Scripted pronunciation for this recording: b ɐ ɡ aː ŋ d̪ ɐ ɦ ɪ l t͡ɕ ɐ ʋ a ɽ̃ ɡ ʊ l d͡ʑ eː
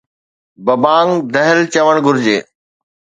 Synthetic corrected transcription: b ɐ b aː ŋ d̪ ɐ ɦ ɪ l t͡ɕ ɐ ʋ ə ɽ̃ ɡ ʊ ɾ d͡ʑ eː